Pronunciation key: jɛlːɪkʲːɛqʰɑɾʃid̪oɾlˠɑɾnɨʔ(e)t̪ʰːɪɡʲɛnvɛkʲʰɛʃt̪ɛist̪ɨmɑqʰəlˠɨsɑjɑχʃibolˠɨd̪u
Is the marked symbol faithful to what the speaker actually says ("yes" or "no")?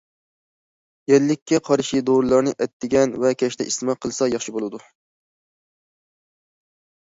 no